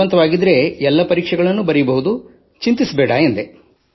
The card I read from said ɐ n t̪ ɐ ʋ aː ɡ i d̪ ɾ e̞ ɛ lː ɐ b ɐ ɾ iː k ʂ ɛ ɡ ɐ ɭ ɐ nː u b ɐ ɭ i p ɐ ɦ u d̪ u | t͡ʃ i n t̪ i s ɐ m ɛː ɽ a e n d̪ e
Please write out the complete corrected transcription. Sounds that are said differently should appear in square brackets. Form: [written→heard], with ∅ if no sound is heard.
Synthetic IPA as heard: ɐ n t̪ ɐ ʋ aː ɡ i d̪ ɾ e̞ ɛ lː ɐ [b→p] ɐ ɾ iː k ʂ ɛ ɡ ɐ ɭ ɐ nː u b ɐ [ɭ→ɾ] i [p→b] ɐ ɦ u d̪ u | t͡ʃ i n t̪ i s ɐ [m→b] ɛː ɽ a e n d̪ e